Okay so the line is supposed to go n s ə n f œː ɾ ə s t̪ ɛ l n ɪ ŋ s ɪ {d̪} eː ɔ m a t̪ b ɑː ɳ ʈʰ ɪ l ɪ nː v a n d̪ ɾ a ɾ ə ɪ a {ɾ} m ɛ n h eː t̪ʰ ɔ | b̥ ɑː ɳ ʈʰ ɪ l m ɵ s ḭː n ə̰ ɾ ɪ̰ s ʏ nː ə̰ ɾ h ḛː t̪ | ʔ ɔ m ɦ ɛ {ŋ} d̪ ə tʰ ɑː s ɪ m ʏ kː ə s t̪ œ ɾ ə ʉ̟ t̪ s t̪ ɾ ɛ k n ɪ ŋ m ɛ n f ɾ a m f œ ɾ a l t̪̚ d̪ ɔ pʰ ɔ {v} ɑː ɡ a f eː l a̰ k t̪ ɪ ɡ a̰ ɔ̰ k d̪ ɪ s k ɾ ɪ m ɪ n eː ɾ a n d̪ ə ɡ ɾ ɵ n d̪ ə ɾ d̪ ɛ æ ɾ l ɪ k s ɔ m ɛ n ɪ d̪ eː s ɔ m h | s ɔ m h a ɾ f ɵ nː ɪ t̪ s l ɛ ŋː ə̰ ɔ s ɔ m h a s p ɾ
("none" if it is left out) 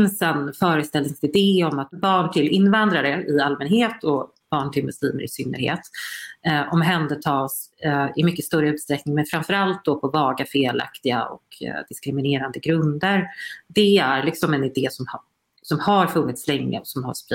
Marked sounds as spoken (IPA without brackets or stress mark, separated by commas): d̪, l, n, v